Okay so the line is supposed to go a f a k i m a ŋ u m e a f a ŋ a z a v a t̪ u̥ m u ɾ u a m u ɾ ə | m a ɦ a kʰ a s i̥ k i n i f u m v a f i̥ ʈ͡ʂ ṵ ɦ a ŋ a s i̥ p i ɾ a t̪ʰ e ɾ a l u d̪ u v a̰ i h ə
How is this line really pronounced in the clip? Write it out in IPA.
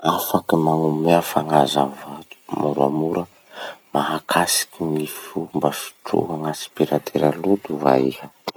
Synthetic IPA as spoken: a f a k i m a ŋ u m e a f a ŋ a z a v a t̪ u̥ m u ɾ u a m u ɾ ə | m a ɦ a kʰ a s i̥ k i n i f u m b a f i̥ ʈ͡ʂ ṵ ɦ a ŋ a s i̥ p i ɾ a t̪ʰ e ɾ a l u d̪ u v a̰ i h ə